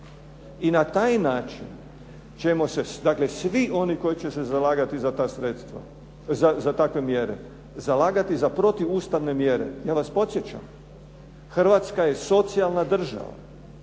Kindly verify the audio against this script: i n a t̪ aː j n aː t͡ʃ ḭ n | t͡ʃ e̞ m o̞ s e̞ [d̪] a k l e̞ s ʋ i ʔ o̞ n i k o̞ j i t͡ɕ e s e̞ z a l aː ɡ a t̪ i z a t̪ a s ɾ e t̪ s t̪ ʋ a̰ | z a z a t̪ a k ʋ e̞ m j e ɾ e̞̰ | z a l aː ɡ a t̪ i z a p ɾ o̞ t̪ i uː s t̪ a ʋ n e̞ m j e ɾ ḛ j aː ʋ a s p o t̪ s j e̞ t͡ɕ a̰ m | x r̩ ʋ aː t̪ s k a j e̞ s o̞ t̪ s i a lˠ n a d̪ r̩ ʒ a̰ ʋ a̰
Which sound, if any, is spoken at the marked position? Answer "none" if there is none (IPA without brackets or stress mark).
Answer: d̪